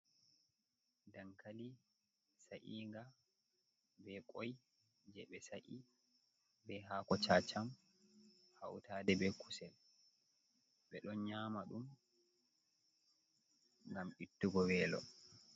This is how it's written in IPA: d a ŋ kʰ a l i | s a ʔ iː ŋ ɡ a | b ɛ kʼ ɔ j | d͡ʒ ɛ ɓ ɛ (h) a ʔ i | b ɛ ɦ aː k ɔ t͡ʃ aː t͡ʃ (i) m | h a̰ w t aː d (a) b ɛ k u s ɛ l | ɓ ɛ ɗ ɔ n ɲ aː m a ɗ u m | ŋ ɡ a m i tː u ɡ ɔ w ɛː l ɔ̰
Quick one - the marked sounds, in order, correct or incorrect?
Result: incorrect, incorrect, incorrect

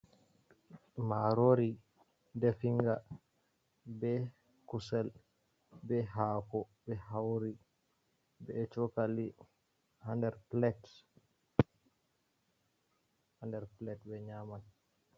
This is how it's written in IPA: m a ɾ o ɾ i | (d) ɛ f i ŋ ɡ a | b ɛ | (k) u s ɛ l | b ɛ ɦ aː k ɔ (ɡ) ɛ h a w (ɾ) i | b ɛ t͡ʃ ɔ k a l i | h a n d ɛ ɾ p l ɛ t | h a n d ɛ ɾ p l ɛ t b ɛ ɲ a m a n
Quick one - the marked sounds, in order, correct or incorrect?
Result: correct, correct, incorrect, correct

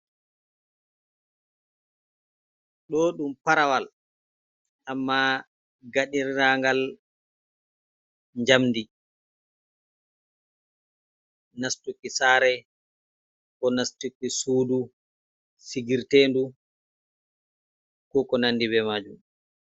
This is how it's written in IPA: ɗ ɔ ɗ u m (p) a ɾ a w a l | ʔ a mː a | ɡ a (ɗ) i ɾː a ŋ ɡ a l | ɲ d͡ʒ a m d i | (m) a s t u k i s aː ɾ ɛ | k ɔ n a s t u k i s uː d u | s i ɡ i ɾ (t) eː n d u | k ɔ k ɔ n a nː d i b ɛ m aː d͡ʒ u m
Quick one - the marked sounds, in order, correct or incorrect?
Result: correct, correct, incorrect, correct

